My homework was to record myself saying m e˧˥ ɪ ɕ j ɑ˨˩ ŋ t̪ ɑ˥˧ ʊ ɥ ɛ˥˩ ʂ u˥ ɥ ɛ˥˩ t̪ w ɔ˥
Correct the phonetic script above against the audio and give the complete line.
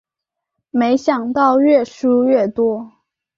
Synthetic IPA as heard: m e˧˥ ɪ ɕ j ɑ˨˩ ŋ t̪ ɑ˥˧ ʊ ɥ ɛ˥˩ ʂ u˥ ɥ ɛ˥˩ t̪ w ɔ˥